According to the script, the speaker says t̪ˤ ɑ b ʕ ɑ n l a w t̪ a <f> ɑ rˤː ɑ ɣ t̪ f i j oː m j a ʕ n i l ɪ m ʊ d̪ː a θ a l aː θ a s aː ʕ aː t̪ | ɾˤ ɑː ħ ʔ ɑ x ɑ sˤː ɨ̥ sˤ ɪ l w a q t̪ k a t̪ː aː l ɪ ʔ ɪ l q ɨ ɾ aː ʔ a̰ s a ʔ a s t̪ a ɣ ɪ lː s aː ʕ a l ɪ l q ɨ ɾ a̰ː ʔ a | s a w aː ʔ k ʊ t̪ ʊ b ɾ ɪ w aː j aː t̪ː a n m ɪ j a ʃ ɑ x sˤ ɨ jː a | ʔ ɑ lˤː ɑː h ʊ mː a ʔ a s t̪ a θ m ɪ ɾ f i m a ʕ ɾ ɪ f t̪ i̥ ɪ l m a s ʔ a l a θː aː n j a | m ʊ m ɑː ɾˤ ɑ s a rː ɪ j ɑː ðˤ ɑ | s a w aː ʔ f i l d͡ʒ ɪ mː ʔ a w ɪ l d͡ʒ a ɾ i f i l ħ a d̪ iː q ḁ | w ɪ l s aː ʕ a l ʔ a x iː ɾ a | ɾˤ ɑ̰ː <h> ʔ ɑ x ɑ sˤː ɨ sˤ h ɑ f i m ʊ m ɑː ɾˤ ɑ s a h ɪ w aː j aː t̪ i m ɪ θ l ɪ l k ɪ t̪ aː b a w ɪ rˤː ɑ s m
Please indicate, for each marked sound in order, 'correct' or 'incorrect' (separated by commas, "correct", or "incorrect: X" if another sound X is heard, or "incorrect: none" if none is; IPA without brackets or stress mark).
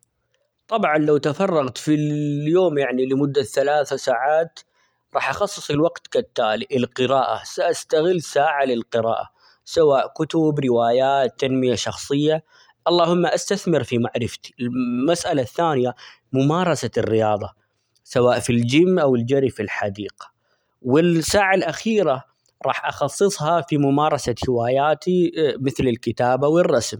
correct, incorrect: ħ